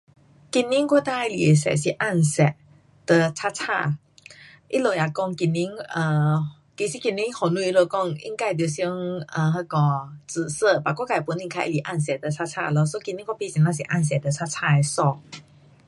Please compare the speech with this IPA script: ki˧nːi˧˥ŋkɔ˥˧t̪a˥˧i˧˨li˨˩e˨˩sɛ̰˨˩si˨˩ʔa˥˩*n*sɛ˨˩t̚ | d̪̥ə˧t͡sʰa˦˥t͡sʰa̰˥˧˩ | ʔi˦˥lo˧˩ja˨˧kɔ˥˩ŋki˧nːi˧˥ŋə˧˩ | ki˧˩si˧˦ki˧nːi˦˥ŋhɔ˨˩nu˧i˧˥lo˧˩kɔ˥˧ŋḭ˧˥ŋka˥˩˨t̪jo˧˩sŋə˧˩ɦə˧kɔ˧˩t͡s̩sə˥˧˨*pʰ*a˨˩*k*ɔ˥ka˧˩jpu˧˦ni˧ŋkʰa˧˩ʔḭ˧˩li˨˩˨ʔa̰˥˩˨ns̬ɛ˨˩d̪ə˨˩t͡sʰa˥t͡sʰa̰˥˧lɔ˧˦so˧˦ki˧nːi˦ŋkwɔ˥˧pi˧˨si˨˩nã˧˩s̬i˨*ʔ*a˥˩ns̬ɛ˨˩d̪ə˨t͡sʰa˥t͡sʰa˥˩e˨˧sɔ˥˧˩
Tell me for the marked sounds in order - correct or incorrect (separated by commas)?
correct, incorrect, correct, correct